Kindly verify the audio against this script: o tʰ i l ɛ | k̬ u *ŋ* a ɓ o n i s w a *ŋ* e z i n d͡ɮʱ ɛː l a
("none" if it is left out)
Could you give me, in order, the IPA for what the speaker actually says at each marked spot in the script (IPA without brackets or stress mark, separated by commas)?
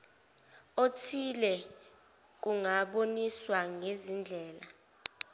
ŋ, ŋ